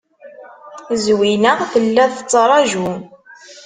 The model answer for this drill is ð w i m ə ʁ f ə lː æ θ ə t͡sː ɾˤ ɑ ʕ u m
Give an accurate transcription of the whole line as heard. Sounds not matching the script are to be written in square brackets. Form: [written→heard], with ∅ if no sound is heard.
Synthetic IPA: [ð→z] w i [m→n] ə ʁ [f→θ] ə lː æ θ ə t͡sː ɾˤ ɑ [ʕ→ʒ] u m